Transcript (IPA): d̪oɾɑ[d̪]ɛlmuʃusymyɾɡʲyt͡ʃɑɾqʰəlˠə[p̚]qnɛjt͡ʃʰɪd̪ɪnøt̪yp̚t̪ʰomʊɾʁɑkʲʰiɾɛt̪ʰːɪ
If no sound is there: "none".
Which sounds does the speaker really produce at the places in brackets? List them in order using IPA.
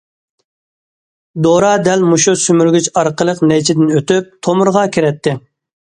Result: d̪, none

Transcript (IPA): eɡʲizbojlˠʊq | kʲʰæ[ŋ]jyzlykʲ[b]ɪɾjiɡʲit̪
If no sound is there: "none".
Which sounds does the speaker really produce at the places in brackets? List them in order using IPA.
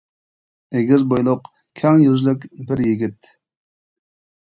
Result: ŋ, b

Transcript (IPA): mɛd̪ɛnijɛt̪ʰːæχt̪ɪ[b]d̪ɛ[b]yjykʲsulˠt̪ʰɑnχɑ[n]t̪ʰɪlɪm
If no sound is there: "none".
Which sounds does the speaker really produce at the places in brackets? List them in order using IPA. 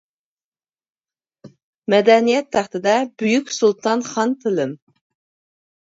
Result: none, b, n

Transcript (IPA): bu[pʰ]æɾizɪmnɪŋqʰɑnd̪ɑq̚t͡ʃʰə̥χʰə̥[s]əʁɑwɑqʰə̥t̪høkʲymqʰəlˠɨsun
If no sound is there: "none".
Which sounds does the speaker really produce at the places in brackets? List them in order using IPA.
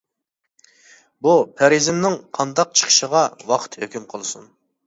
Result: pʰ, ʃ

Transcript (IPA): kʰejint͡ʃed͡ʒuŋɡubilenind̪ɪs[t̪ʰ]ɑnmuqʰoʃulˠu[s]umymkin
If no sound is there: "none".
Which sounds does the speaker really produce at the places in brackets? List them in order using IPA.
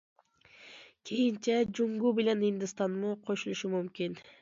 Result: t̪, ʃ

